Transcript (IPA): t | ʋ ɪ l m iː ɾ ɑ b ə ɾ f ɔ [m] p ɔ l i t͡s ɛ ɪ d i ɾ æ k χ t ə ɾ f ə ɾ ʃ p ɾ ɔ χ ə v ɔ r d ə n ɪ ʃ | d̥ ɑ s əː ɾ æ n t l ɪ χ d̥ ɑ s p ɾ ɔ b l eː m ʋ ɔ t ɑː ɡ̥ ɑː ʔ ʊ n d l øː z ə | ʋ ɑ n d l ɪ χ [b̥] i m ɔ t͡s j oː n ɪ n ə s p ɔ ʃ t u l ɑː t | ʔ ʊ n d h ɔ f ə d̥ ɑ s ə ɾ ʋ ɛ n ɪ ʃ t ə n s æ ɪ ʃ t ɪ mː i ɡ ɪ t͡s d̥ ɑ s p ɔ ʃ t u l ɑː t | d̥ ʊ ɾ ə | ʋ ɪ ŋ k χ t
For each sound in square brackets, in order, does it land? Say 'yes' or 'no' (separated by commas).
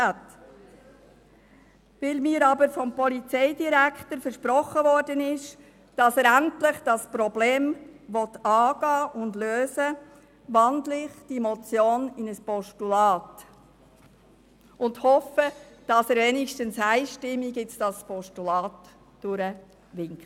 yes, no